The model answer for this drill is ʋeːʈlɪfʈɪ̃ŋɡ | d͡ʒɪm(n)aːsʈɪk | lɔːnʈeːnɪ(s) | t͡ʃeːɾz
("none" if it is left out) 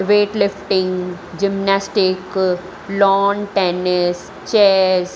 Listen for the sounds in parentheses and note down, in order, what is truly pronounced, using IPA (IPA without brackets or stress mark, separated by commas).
n, s